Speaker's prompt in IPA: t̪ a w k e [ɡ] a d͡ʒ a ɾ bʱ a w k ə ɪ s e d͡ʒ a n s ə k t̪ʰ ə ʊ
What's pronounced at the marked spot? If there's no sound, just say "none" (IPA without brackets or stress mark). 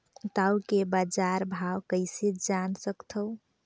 b